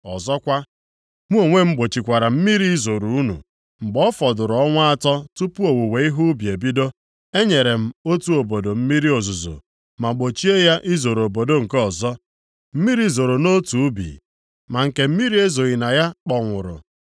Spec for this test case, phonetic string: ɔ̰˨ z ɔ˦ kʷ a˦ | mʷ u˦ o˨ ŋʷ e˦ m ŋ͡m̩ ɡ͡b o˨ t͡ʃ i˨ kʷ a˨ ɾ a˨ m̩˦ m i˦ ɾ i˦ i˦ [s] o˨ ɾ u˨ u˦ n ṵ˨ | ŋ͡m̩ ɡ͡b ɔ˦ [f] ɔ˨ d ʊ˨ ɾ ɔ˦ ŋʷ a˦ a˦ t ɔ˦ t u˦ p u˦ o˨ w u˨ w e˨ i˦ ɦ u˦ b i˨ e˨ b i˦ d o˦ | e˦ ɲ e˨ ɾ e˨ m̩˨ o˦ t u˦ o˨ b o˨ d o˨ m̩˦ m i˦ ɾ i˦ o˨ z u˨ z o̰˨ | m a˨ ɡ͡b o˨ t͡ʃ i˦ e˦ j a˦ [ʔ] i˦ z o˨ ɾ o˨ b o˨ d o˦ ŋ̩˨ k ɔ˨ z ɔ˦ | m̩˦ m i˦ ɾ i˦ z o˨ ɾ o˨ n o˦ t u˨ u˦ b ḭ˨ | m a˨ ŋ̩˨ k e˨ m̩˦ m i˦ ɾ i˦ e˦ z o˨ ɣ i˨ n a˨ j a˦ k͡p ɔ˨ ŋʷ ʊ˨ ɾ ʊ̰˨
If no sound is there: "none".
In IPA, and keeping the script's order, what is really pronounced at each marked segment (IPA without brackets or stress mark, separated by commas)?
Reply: z, f, ʔ